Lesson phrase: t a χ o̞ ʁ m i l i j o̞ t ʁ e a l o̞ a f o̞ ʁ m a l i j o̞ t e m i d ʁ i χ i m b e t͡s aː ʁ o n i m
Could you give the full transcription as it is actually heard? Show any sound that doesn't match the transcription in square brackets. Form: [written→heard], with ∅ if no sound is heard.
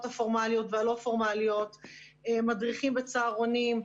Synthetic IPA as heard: t a [χ→f] o̞ ʁ m [i→a] l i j o̞ t [ʁ→v] e a l o̞ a f o̞ ʁ m a l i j o̞ t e m [i→a] d ʁ i χ i m b e t͡s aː ʁ o n i m